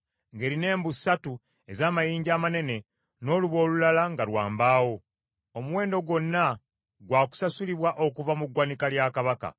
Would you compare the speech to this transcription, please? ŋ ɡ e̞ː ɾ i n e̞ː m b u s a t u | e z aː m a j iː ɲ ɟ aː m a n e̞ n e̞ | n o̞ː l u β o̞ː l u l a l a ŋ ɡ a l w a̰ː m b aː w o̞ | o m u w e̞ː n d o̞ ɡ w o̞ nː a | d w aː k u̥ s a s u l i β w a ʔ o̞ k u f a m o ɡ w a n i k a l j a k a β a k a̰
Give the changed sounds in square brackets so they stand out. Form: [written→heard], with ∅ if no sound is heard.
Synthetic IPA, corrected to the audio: ŋ ɡ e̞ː ɾ i n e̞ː m b u s a t u | e z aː m a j iː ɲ ɟ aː m a n e̞ n e̞ | n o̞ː l u β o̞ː l u l a l a ŋ ɡ a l w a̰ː m b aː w o̞ | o m u w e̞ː n d o̞ ɡ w o̞ nː a | [d→ɡ] w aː k u̥ s a s u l i β w a ʔ o̞ k u [f→v] a m [o→u] ɡ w a n i k a l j a k a β a k a̰

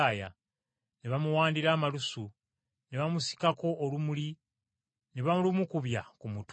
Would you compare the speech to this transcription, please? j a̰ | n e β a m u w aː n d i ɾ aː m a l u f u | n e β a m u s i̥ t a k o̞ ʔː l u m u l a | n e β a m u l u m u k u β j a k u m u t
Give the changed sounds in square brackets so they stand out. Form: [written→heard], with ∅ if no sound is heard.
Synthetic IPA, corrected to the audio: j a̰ | n e β a m u w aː n d i ɾ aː m a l u [f→s] u | n e β a m u s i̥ [t→k] a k o̞ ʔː l u m u l [a→i] | n e β a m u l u m u k u β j a k u m u t

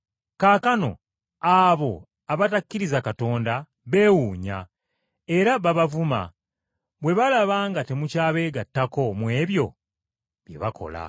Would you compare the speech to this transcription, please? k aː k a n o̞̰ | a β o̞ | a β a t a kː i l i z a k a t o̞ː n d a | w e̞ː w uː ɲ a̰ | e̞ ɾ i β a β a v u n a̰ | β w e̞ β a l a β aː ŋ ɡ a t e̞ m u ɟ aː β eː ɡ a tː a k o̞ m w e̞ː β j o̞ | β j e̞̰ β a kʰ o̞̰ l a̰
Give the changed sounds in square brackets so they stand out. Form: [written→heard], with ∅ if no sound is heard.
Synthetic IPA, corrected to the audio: k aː k a n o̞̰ | a β o̞ | a β a t a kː i [l→ɾ] i z a k a t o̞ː n d a | [w→β] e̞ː w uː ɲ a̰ | e̞ ɾ [i→a] β a β a v u [n→m] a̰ | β w e̞ β a l a β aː ŋ ɡ a t e̞ m u [ɟ→c] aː β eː ɡ a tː a k o̞ m w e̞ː β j o̞ | β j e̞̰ β a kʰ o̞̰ l a̰

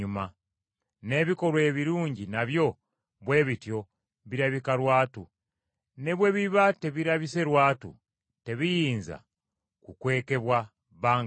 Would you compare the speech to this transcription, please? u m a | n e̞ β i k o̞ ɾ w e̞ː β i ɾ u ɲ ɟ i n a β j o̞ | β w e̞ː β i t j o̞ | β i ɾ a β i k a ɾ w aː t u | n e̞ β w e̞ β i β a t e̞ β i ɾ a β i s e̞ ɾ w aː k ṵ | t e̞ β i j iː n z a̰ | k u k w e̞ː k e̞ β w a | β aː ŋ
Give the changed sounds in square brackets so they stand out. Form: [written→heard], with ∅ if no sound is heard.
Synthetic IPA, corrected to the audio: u m a | n e̞ β i k o̞ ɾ w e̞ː β i ɾ [u→uː] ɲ ɟ i n a β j o̞ | β w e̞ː β i t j o̞ | β i ɾ a β i k a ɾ w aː t u | n e̞ β w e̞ β i β a t e̞ β i ɾ a β i s e̞ ɾ w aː [k→t] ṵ | t e̞ β i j iː n z a̰ | k u k w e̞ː k e̞ β w a | β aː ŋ

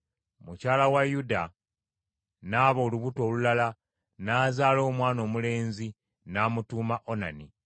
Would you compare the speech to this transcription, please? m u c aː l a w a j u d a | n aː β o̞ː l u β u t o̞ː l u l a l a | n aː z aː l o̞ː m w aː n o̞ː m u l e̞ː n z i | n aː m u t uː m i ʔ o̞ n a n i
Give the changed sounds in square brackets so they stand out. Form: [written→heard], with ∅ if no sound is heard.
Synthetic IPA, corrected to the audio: m u c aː l a w a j u d a | n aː β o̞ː l u β u t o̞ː l u l a l a | n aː z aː l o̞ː m w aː n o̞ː m u l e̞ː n z i | n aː m u t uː m [i→a] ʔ o̞ n a n i

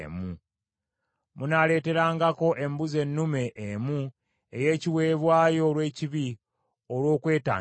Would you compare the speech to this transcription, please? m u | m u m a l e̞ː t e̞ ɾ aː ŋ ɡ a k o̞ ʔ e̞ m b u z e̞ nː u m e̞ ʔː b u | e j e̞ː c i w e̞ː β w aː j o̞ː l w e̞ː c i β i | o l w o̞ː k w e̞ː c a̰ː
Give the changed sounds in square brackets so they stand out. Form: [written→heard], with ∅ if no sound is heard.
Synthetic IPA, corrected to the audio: m u | m u [m→n] a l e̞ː t e̞ ɾ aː ŋ ɡ a k o̞ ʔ e̞ m b u z e̞ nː u m e̞ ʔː [b→m] u | e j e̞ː c i w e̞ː β w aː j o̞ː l w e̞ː c i β i | o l w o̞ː k w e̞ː [c→t] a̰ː

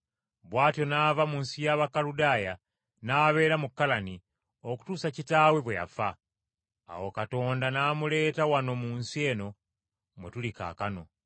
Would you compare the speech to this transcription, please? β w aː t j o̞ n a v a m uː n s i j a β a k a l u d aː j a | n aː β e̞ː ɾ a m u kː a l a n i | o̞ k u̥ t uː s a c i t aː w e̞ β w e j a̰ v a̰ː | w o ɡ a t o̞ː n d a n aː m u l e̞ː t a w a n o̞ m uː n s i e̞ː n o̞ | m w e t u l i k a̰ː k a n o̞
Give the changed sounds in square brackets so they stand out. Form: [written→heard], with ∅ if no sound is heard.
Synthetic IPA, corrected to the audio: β w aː t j o̞ n a v a m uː n s i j a β a k a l u d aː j a | n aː β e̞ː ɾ a m u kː a l a n i | o̞ k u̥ t uː s a c i t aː w e̞ β w e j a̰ [v→f] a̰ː | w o [ɡ→k] a t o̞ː n d a n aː m u l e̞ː t a w a n o̞ m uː n s i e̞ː n o̞ | m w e t u l i k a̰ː k a n o̞

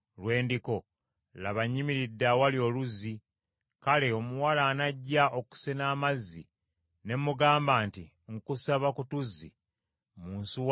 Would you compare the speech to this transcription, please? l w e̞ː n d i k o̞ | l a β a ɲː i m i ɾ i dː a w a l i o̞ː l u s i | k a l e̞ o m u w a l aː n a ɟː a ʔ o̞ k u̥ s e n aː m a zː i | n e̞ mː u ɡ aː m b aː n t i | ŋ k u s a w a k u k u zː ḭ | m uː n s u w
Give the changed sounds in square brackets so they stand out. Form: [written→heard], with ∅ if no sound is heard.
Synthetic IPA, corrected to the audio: l w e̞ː n d i k o̞ | l a β a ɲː i m i ɾ i dː a w a l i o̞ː l u [s→z] i | k a l e̞ o m u w a l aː n a ɟː a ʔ o̞ k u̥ s e n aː m a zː i | n e̞ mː u ɡ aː m b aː n t i | ŋ k u s a [w→β] a k u [k→t] u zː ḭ | m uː n s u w

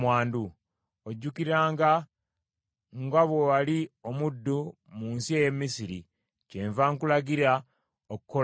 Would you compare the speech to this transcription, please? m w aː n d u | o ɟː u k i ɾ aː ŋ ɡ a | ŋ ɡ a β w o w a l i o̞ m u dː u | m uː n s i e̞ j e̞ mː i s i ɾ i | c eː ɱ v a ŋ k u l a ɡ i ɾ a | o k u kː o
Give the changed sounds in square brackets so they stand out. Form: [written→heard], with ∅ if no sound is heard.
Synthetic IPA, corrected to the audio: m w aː n d u | o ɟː u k i ɾ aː ŋ ɡ a | ŋ ɡ a β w o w a l i o̞ m u dː u | m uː n s i e̞ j e̞ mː i s i ɾ i | c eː ɱ v a ŋ k u l a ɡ i ɾ a | o k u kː o

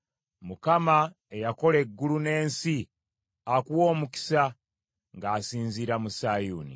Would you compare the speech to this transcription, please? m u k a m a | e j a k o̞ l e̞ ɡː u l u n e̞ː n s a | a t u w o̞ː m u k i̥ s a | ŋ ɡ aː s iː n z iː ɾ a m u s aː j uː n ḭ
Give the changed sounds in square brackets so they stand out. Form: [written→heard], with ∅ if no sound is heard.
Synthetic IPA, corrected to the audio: m u k a m a | e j a k o̞ l e̞ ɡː u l u n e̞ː n s [a→i] | a [t→k] u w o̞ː m u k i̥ s a | ŋ ɡ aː s iː n z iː ɾ a m u s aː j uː n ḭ

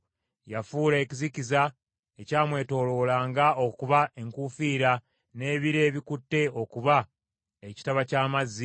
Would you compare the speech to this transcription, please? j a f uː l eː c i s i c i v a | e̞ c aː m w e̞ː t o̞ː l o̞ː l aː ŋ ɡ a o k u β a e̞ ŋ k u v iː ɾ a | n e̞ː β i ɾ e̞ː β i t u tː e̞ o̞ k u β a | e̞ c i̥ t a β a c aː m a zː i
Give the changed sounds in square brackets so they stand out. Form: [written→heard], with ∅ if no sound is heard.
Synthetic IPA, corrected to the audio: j a f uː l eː c i [s→z] i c i [v→z] a | e̞ c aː m w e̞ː t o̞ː l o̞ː l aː ŋ ɡ a o k u β a e̞ ŋ k u [v→f] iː ɾ a | n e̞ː β i ɾ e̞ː β i [t→k] u tː e̞ o̞ k u β a | e̞ c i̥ t a β a c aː m a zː i

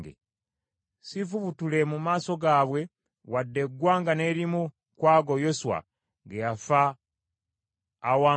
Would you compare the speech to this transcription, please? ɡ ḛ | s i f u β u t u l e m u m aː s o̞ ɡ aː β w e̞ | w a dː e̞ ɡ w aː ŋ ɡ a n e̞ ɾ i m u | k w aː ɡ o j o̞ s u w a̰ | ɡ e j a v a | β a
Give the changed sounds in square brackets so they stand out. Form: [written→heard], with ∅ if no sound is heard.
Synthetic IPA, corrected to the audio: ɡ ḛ | s i f u β u t u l e m u m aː s o̞ ɡ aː β w e̞ | w a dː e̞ ɡ w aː ŋ ɡ a n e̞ ɾ i m u | k w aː ɡ o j o̞ s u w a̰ | ɡ e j a [v→f] a | [β→w] a

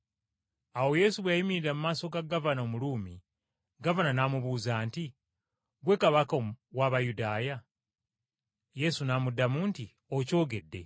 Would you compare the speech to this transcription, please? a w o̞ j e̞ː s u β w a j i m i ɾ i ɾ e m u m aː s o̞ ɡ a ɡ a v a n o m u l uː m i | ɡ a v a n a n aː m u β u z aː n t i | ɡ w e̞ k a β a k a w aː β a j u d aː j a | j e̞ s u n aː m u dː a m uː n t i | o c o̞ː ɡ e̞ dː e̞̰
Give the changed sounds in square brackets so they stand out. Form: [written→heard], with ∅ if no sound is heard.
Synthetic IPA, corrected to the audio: a w o̞ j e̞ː s u β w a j i m i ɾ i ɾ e m u m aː s o̞ ɡ a ɡ a v a n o m u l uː m i | ɡ a v a n a n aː m u β u z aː n t i | ɡ w e̞ k a β a k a w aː β a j u d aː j a | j e̞ s u n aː m u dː a m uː n t i | o c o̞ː ɡ e̞ dː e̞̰

